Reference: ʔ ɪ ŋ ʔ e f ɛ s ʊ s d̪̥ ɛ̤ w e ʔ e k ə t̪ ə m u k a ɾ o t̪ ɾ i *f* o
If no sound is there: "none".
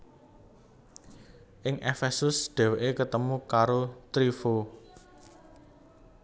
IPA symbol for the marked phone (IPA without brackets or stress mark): f